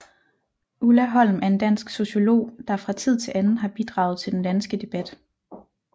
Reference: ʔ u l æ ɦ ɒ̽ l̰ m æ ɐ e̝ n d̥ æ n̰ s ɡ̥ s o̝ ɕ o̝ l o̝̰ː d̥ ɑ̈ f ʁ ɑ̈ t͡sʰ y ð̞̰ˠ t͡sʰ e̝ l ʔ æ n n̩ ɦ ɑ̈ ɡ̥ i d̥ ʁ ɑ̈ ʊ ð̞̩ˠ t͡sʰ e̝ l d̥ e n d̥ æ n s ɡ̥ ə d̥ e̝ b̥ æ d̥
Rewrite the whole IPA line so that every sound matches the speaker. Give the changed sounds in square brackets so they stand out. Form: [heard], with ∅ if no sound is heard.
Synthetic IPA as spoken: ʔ u l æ ɦ ɒ̽ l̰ m æ ɐ e̝ n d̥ æ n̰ s ɡ̥ s o̝ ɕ o̝ l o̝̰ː d̥ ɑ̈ f ʁ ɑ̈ t͡sʰ [i] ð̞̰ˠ t͡sʰ e̝ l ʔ æ n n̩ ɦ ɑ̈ [b̥] i d̥ ʁ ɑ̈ ʊ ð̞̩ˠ t͡sʰ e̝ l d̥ e n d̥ æ n s ɡ̥ ə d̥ e̝ b̥ æ d̥